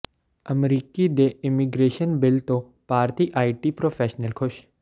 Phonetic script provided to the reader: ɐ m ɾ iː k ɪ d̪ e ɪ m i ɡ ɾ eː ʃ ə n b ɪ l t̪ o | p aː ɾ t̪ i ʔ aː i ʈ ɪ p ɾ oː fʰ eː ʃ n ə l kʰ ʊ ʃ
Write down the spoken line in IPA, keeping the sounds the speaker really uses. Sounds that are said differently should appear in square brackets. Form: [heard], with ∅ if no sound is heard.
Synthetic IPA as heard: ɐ m ɾ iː k [i] d̪ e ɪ m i ɡ ɾ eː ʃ ə n b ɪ l t̪ o | p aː ɾ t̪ i ʔ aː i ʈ [i] p ɾ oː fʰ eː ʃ n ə l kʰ ʊ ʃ